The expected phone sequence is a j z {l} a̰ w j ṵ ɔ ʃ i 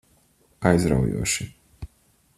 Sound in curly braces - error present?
yes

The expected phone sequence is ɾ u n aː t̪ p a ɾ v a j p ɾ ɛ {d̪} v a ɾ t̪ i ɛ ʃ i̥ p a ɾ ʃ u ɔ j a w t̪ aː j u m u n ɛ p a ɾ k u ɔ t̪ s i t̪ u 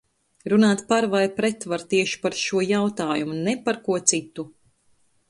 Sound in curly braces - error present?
yes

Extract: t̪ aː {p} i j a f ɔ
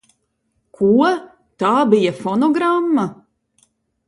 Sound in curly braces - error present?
yes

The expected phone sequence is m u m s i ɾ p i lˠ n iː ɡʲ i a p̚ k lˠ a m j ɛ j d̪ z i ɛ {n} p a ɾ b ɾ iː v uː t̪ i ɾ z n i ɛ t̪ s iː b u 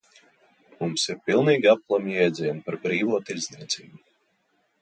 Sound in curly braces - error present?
no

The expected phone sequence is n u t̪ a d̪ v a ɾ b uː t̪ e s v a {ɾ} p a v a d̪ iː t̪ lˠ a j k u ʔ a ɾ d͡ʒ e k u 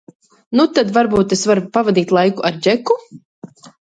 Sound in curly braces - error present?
no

